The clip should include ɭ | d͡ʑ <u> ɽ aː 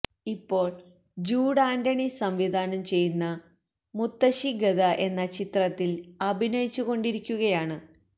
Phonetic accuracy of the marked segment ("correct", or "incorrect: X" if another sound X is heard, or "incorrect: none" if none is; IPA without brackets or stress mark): incorrect: uː